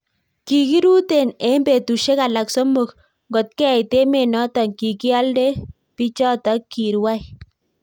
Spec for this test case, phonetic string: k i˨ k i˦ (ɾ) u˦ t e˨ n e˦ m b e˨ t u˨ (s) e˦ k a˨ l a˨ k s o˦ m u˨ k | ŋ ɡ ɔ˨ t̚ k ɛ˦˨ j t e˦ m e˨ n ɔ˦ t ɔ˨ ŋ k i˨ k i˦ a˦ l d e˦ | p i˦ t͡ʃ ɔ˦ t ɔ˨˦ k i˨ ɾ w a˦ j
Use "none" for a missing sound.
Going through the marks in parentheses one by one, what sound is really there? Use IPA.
ɾ, ʃ

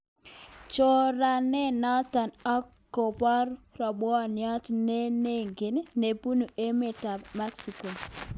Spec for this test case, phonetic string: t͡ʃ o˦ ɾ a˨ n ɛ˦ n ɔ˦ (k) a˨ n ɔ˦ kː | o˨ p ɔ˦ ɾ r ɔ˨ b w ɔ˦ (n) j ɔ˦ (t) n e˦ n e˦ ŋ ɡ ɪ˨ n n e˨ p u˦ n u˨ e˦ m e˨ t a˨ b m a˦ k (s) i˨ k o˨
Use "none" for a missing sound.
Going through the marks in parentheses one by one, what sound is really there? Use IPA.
t, n, t, s

